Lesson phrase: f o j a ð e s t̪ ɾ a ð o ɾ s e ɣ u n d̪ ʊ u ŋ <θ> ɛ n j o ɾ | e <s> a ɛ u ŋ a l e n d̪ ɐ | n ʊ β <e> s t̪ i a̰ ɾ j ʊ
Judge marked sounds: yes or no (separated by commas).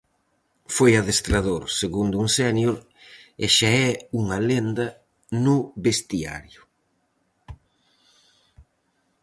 no, no, yes